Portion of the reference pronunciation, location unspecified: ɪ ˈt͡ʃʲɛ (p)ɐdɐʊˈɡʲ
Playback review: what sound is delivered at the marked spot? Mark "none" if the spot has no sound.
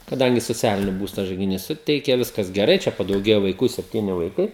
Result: p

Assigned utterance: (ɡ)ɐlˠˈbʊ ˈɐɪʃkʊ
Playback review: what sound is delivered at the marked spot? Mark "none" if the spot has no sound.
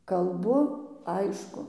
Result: k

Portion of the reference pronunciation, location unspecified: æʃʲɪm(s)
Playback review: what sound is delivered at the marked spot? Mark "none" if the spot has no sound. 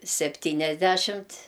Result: t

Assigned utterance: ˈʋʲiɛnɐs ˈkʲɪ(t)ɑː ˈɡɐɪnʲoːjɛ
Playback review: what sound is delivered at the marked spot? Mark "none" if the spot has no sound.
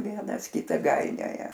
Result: t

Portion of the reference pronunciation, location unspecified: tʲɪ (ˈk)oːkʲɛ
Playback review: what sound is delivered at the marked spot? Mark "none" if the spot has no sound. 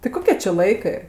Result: k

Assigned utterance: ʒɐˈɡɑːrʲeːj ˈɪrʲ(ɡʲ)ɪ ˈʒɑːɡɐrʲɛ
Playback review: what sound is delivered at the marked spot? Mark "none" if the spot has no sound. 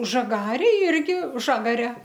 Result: ɡʲ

